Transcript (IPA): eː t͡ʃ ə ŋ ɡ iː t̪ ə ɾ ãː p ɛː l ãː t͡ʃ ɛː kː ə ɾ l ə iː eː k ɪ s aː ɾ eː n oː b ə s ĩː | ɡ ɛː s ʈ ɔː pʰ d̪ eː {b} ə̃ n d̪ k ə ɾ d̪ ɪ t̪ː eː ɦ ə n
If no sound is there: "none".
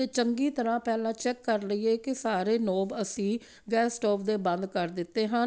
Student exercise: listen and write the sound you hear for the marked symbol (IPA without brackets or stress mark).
b